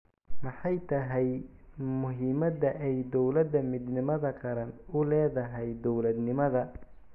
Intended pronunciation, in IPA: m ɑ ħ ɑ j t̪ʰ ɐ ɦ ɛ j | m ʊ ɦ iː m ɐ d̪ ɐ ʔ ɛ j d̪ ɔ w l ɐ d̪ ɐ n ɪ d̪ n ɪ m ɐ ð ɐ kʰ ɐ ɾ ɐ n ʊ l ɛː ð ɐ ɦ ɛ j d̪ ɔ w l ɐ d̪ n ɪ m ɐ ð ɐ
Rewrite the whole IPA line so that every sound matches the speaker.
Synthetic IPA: m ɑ ħ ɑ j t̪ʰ ɐ ɦ ɛ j | m ʊ ɦ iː m ɐ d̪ ɐ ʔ ɛ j d̪ ɔ w l ɐ d̪ ɐ m ɪ d̪ n ɪ m ɐ ð ɐ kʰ ɐ ɾ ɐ n ʊ l ɛː ð ɐ ɦ ɛ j d̪ ɔ w l ɐ d̪ n ɪ m ɐ ð ɐ